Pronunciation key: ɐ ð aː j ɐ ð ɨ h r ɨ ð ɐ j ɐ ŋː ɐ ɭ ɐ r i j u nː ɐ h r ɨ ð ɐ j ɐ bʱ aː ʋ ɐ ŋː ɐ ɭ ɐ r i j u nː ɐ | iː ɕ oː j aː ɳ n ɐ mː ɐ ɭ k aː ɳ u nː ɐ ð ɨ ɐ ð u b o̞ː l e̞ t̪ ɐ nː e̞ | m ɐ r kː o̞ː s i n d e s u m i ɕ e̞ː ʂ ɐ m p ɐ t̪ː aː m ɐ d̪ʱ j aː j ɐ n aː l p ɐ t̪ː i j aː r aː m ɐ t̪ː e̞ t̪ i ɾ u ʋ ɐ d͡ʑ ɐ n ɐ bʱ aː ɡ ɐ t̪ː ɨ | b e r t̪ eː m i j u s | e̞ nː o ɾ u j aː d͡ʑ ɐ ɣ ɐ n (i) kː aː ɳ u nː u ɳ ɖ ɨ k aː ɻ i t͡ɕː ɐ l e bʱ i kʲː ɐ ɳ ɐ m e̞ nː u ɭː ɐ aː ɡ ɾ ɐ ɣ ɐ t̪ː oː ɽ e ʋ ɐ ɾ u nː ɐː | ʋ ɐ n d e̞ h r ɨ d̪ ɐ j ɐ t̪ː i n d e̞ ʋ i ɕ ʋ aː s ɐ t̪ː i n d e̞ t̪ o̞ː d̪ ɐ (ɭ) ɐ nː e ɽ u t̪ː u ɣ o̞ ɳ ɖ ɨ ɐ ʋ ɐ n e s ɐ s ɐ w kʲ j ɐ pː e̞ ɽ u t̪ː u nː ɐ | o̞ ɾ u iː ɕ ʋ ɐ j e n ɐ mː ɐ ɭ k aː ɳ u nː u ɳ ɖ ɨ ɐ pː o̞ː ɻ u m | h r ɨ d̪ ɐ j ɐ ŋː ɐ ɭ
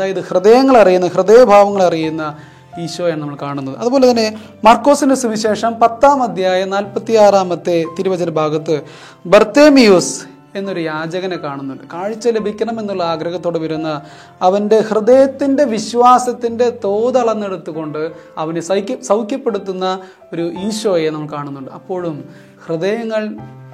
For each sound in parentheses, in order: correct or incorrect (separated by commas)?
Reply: incorrect, correct